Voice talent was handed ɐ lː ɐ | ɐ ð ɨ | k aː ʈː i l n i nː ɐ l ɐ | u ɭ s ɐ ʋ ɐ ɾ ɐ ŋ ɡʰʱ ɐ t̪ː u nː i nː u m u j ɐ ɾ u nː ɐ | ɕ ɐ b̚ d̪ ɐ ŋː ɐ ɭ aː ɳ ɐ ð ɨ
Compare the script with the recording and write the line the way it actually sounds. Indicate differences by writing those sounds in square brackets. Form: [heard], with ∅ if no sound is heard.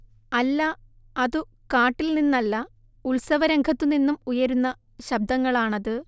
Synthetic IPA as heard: ɐ lː ɐ | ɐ ð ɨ | k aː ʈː i l n i nː ɐ [lː] ɐ | u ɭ s ɐ ʋ ɐ ɾ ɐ ŋ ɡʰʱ ɐ t̪ː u [n] i nː u m u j ɐ ɾ u nː ɐ | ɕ ɐ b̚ d̪ ɐ ŋː ɐ ɭ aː ɳ ɐ ð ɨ